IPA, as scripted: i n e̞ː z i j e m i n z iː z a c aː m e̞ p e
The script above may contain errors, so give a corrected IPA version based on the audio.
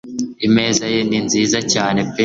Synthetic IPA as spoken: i m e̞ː z a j e n i n z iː z a c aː n e̞ p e